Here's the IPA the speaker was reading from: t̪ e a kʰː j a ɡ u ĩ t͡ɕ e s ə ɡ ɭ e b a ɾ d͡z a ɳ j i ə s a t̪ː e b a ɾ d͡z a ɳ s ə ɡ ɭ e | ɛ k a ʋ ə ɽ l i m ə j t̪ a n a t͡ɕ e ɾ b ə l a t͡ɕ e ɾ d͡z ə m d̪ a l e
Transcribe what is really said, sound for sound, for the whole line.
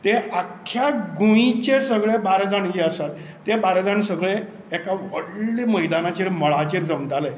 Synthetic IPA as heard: t̪ e a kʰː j a ɡ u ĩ t͡ɕ e s ə ɡ ɭ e b a ɾ d͡z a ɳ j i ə s a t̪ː e b a ɾ d͡z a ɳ s ə ɡ ɭ e | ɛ k a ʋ ə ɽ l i m ə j d̪ a n a t͡ɕ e ɾ m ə ɭ a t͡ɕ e ɾ d͡z ə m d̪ a l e